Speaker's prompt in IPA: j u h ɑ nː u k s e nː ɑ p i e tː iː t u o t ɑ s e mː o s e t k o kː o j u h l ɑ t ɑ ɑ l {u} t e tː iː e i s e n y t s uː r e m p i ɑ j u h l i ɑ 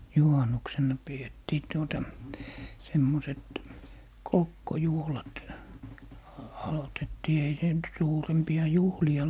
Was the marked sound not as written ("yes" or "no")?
yes